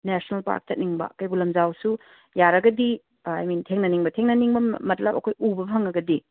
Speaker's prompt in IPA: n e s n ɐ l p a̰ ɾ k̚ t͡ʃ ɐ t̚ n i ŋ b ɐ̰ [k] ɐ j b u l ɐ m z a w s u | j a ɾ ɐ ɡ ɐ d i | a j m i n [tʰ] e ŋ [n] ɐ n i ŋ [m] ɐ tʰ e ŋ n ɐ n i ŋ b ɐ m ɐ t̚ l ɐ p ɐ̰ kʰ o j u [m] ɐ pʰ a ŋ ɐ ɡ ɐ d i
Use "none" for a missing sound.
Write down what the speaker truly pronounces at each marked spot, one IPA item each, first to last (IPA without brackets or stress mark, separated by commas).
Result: k, tʰ, n, b, b